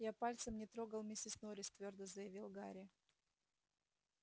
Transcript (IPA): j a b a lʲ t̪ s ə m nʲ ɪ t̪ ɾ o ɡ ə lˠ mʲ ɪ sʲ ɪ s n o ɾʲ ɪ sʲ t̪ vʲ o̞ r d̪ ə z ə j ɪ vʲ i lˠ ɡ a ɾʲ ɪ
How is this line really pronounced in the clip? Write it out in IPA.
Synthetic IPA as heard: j a p a lʲ t̪ s ə m nʲ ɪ t̪ ɾ o ɡ ə lˠ mʲ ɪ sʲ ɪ s n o ɾʲ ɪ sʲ t̪ vʲ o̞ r d̪ ə z ə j ɪ vʲ i lˠ ɡ a ɾʲ ɪ